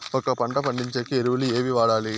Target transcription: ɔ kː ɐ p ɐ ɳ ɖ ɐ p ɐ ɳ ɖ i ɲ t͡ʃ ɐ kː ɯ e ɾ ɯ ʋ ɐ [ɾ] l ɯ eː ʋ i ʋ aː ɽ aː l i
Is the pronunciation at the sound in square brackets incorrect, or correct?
incorrect